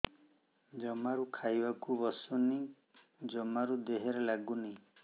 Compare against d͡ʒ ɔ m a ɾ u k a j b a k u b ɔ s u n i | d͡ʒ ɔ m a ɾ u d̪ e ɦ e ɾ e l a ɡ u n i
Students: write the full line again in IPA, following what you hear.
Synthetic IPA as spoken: d͡ʒ ɔ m a ɾ u kʰ a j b a k u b ɔ s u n i | d͡ʒ ɔ m a ɾ u d̪ e ɦ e ɾ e l a ɡ u n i